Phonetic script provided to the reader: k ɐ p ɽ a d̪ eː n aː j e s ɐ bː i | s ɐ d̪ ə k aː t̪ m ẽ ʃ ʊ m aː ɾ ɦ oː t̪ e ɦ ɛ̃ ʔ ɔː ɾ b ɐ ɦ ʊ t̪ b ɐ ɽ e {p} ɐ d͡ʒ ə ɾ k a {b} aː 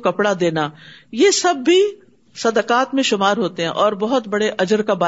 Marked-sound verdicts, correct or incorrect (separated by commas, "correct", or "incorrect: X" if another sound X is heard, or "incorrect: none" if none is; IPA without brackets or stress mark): incorrect: ʔ, correct